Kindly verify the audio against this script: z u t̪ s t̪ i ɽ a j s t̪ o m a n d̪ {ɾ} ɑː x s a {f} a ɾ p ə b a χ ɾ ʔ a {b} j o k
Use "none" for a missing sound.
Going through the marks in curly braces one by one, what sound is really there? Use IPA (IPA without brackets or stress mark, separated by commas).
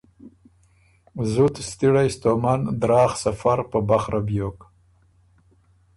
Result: ɾ, f, b